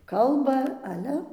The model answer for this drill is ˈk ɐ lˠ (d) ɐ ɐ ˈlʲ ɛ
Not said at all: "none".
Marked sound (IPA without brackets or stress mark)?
b